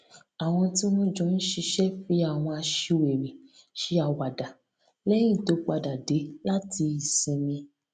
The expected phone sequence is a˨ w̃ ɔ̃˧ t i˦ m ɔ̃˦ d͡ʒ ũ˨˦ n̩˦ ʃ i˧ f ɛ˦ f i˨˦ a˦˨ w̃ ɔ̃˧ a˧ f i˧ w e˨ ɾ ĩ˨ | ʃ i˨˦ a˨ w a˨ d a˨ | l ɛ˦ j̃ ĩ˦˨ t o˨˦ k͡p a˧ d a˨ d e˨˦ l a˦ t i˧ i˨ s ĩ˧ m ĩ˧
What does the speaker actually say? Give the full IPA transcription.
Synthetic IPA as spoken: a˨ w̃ ɔ̃˧ t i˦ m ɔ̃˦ d͡ʒ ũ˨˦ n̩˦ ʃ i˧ ʃ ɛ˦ f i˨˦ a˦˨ w̃ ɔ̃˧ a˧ ʃ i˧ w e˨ ɾ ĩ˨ | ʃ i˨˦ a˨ w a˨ d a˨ | l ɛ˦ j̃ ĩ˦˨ t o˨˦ k͡p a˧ d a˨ d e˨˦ l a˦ t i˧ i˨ s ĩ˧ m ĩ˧